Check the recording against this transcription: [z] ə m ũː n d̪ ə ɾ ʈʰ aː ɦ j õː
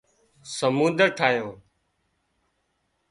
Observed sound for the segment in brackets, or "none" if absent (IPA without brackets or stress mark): s